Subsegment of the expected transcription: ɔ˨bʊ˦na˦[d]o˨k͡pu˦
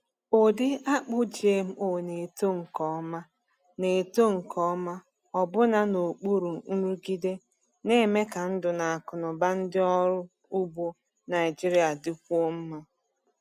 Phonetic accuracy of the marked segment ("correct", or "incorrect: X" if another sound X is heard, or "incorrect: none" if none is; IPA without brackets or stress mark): incorrect: n